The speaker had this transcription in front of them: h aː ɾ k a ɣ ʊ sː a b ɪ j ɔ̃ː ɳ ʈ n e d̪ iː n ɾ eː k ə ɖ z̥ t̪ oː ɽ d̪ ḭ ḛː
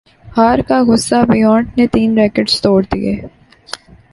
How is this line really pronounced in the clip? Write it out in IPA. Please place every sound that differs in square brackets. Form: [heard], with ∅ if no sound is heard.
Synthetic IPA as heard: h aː ɾ k a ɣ ʊ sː a b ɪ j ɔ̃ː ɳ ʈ n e [t̪] iː n ɾ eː k ə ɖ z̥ t̪ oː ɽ d̪ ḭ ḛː